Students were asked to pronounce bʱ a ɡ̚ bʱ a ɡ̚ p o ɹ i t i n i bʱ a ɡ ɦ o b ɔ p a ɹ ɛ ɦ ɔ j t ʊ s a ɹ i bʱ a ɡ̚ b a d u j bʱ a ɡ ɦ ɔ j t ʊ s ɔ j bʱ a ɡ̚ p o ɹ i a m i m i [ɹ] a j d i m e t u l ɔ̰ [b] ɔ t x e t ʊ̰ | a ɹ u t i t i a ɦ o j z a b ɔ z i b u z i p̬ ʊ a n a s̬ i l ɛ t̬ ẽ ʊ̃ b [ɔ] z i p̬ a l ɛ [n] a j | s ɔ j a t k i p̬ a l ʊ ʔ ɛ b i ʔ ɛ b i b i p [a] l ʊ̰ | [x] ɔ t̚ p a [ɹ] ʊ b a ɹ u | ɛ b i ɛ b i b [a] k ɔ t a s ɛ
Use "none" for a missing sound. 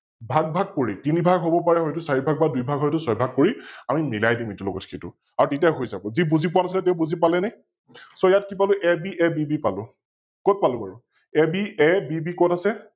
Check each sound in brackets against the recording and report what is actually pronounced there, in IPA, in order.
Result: l, ɡ, u, n, a, k, l, i

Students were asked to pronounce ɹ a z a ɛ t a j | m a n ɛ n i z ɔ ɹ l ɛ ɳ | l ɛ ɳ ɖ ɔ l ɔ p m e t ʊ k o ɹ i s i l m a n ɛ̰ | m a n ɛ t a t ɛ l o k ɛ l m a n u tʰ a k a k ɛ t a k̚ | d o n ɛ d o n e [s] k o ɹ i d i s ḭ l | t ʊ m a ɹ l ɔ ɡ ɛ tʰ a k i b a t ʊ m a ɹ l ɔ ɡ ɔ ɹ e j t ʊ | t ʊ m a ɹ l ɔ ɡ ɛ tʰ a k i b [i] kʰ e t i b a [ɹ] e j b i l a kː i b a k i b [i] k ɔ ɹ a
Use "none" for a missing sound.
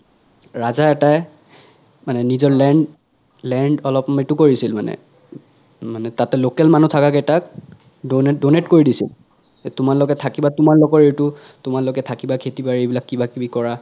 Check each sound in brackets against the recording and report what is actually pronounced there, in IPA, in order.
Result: t, a, ɹ, i

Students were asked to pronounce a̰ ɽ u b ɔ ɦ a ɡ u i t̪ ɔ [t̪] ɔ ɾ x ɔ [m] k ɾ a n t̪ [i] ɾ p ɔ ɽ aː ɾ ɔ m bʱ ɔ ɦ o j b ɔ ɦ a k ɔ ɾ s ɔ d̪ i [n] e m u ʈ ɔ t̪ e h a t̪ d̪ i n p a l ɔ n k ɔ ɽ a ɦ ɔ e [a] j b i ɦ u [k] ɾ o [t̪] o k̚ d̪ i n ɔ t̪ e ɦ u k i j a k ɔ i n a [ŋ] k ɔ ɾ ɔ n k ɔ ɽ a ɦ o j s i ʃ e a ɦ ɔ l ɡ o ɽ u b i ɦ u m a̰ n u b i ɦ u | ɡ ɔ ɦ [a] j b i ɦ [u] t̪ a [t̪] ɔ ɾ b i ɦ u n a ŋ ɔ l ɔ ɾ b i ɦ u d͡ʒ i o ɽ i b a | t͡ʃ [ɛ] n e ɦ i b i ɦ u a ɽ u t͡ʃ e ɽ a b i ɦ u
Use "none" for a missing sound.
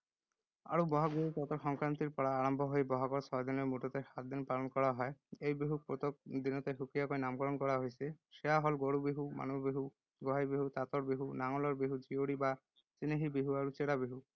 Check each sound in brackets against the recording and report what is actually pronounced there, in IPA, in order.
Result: t̪, ŋ, i, n, e, p, t̪, m, a, u, t̪, i

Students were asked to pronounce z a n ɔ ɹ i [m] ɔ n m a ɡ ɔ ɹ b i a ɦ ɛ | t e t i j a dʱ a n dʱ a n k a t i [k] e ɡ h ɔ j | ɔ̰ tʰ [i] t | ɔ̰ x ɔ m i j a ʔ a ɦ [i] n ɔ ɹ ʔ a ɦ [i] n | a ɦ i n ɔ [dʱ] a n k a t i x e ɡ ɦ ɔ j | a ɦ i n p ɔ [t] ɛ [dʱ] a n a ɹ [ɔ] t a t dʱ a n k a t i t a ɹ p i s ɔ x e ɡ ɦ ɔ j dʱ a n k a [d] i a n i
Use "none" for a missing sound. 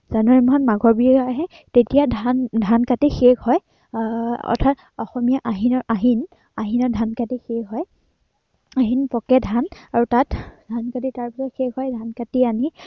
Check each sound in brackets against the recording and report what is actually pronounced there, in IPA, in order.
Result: m, x, a, i, i, dʱ, k, dʱ, u, t

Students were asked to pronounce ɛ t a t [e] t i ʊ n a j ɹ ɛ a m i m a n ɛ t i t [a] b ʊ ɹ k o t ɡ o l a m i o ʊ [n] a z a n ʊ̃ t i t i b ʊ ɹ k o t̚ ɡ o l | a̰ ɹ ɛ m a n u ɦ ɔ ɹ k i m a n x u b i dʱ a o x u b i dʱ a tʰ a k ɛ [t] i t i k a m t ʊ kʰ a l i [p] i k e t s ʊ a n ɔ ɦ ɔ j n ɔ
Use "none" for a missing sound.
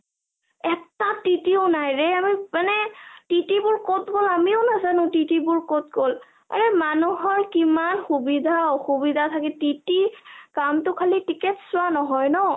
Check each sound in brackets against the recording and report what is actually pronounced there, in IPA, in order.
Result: i, i, n, t, t

